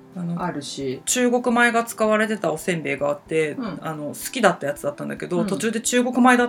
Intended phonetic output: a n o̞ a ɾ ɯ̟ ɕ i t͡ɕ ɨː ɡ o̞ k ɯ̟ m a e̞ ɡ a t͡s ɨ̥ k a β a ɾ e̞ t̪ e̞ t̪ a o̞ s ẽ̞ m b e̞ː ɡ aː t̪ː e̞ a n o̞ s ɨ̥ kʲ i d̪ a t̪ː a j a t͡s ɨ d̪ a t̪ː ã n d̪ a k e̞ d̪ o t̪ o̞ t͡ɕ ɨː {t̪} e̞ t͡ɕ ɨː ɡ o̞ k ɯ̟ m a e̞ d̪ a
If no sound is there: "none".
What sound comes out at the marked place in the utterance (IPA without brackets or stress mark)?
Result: d̪